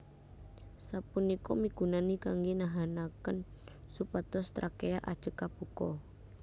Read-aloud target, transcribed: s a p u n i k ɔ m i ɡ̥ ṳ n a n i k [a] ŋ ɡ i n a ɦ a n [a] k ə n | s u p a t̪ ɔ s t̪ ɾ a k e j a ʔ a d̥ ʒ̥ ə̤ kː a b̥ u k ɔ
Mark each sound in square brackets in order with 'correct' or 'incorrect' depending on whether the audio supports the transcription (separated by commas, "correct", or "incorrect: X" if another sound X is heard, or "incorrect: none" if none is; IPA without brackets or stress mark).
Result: correct, correct